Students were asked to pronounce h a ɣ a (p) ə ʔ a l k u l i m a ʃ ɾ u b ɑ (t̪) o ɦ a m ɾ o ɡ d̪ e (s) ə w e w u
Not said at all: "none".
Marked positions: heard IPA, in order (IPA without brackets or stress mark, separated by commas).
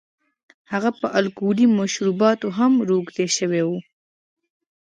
p, t̪, ʃ